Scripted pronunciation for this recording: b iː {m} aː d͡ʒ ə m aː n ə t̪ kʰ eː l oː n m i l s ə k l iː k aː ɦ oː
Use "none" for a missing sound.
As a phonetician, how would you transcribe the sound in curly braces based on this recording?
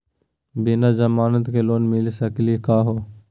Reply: n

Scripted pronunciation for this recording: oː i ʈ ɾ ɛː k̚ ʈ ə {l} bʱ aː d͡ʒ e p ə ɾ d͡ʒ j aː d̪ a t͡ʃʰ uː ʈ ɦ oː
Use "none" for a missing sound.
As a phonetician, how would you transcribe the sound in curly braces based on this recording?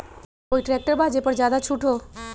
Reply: ɾ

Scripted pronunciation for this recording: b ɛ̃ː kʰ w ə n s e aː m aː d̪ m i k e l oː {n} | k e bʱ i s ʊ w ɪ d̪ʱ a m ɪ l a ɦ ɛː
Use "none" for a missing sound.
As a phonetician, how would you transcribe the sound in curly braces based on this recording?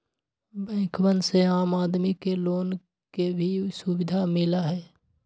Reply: n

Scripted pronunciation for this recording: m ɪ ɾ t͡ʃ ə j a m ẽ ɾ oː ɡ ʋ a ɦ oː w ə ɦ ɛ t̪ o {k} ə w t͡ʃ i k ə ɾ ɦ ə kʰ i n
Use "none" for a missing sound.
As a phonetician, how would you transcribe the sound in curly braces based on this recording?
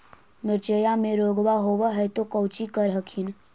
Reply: k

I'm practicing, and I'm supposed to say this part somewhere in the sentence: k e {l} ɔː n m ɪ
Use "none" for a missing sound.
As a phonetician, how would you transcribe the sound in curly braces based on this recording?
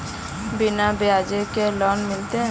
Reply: l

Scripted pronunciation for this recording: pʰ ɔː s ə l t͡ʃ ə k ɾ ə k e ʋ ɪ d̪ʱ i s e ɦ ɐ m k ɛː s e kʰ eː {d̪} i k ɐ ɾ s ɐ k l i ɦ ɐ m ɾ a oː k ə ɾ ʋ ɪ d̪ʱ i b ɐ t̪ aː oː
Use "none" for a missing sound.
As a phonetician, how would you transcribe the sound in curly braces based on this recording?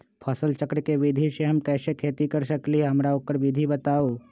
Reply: t̪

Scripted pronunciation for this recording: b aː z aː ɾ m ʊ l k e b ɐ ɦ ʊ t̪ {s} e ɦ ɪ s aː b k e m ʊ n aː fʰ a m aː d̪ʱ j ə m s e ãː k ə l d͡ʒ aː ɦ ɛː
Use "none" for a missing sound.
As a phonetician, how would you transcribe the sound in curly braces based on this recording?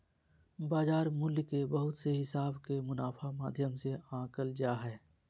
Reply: s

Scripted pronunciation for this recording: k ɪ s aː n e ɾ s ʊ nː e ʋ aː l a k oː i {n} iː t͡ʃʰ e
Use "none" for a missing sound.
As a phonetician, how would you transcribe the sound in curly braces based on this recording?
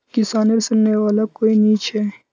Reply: n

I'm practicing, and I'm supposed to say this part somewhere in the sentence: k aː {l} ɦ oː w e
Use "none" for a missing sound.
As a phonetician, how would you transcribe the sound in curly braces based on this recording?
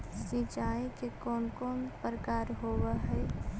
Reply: ɾ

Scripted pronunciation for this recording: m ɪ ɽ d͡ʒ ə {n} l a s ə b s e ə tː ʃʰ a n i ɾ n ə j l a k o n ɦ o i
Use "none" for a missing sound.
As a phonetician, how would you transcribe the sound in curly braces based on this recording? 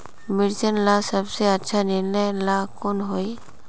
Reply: n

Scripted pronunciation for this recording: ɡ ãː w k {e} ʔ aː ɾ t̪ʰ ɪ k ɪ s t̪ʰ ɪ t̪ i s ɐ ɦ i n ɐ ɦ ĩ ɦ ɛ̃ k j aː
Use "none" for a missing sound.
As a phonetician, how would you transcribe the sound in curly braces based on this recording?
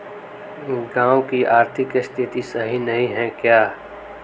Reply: i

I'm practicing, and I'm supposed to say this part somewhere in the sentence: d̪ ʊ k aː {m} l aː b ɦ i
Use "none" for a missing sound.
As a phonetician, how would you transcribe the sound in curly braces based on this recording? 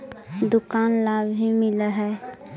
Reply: n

